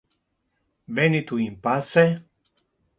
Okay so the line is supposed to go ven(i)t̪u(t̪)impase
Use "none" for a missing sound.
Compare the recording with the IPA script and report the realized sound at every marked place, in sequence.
i, none

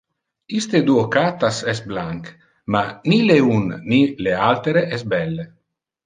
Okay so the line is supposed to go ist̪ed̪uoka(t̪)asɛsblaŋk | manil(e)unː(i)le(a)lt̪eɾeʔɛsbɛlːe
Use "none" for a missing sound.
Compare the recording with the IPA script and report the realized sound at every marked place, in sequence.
t̪, e, i, a

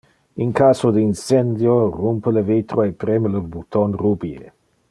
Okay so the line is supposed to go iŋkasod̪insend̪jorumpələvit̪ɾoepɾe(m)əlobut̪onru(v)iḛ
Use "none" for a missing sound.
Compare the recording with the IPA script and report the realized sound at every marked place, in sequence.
m, b

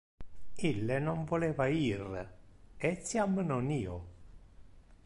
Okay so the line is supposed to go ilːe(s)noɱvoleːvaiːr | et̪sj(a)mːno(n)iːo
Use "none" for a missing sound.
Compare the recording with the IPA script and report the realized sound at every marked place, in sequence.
none, a, n

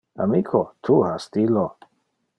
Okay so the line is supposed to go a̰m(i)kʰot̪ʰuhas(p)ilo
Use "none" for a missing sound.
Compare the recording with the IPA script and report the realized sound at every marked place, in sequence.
i, t

